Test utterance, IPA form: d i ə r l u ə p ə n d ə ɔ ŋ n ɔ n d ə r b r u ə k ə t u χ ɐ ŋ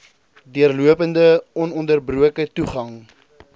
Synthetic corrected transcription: d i ə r l u ə p ə n d ə ɔ n ɔ n d ə r b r u ə k ə t u χ ɐ ŋ